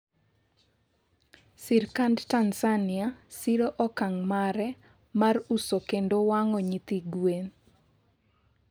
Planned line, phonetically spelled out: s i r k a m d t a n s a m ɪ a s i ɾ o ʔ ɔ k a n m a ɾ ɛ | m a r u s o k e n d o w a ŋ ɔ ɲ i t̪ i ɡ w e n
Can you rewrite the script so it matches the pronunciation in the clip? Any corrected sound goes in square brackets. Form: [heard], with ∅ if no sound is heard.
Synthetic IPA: s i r k a [n] d t a n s a [n] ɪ a s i ɾ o ʔ ɔ k a [ŋ] m a ɾ ɛ | m a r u s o k e n d o w a ŋ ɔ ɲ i t̪ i ɡ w e n